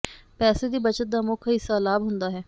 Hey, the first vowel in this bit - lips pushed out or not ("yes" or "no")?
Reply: no